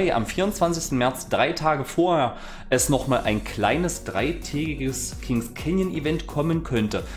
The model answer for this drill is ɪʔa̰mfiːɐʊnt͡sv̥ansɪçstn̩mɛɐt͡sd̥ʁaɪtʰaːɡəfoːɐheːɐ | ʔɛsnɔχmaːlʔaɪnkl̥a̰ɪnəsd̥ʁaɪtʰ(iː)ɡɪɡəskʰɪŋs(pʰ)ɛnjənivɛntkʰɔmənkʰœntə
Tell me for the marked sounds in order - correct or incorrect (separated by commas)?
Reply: incorrect, incorrect